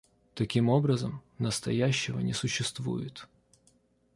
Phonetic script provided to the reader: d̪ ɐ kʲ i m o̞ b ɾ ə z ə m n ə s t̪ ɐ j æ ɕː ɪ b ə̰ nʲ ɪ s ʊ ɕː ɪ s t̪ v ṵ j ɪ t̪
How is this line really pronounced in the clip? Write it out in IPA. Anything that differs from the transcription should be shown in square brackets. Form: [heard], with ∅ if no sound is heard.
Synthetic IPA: [t̪] ɐ kʲ i m o̞ b ɾ ə z ə m n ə s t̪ ɐ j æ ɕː ɪ [v] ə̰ nʲ ɪ s ʊ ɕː ɪ s t̪ v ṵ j ɪ t̪

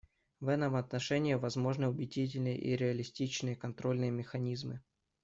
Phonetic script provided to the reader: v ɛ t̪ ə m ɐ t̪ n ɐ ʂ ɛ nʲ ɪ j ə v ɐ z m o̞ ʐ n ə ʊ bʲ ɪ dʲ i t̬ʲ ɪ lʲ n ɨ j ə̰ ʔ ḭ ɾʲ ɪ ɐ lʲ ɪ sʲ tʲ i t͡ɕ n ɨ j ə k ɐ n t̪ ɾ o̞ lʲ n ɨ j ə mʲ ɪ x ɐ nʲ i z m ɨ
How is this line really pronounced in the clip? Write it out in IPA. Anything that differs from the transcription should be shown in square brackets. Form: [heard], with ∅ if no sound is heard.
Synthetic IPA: v ɛ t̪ ə m ɐ t̪ n ɐ ʂ ɛ nʲ ɪ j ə v ɐ z m o̞ ʐ n ə ʊ bʲ ɪ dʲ i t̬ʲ ɪ lʲ n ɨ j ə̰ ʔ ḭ ɾʲ ɪ ɐ lʲ ɪ sʲ tʲ i t͡ɕ n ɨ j ə k ɐ n t̪ ɾ o̞ lʲ n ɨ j ə mʲ ɪ x ɐ nʲ i z m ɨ

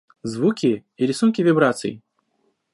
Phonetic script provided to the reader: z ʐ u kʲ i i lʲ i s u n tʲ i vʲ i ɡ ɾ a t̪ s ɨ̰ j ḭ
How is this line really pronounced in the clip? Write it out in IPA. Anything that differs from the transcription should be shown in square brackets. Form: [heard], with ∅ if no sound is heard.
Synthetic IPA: z [v] u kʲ i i [ɾʲ] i s u n [kʲ] i vʲ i [b] ɾ a t̪ s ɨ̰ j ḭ

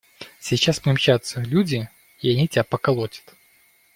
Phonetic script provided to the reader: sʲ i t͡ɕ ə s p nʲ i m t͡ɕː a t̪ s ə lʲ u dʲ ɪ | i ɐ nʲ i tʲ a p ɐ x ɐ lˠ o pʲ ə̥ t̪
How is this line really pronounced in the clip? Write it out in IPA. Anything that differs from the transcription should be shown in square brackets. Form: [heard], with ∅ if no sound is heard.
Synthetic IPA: sʲ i t͡ɕ [a] s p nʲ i m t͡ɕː a t̪ s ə lʲ u dʲ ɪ | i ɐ nʲ i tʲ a p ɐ [k] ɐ lˠ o [tʲ] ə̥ t̪

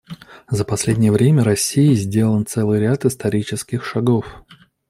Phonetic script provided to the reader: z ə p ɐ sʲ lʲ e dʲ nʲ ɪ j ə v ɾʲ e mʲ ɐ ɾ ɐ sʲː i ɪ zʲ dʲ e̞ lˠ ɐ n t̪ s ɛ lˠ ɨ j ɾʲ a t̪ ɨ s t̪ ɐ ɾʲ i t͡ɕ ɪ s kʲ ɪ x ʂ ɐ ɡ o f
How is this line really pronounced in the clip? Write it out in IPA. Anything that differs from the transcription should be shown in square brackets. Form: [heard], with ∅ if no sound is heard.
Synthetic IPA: z ə p ɐ sʲ lʲ e dʲ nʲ ɪ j ə v ɾʲ e mʲ [ə] ɾ ɐ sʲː i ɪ zʲ dʲ e̞ lˠ [ə] n t̪ s ɛ lˠ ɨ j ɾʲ a t̪ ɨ s t̪ ɐ ɾʲ i t͡ɕ ɪ s kʲ ɪ x ʂ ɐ ɡ o f

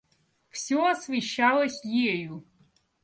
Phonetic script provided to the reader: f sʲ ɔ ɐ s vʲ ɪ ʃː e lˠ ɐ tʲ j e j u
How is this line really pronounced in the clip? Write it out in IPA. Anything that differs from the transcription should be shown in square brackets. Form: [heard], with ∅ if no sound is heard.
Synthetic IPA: f sʲ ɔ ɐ s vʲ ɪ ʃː [a] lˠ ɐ [sʲ] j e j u

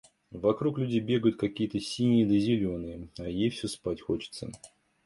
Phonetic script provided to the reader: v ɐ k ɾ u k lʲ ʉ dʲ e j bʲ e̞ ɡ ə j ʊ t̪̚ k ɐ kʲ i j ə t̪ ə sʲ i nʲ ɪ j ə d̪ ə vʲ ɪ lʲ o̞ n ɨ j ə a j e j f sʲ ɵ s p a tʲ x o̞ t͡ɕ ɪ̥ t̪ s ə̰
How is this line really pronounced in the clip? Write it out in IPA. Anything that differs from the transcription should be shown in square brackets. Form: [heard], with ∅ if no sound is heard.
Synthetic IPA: v ɐ k ɾ u k lʲ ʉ dʲ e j bʲ e̞ ɡ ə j ʊ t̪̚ k ɐ kʲ i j ə t̪ ə sʲ i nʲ ɪ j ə d̪ ə [zʲ] ɪ lʲ o̞ n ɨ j ə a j e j f sʲ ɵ s p a tʲ x o̞ t͡ɕ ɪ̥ t̪ s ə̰

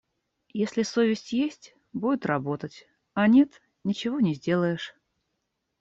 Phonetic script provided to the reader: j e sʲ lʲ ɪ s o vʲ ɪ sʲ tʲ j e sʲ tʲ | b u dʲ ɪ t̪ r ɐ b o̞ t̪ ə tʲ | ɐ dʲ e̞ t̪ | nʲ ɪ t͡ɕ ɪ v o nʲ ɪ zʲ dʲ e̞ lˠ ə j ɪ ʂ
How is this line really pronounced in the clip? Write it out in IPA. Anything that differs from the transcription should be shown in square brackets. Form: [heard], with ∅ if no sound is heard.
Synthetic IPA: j e sʲ lʲ ɪ s o vʲ ɪ sʲ tʲ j e sʲ tʲ | b u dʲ ɪ t̪ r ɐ b o̞ t̪ ə tʲ | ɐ [nʲ] e̞ t̪ | nʲ ɪ t͡ɕ ɪ v o nʲ ɪ zʲ dʲ e̞ lˠ ə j ɪ ʂ

